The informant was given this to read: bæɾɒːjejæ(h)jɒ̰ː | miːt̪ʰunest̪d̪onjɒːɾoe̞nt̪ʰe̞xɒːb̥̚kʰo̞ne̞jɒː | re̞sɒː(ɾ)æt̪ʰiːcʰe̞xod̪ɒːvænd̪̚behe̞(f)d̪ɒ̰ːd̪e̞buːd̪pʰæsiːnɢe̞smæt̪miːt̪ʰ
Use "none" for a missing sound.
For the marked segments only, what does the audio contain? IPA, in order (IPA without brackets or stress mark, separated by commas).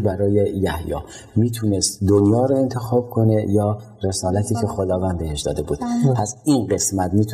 h, l, ʃ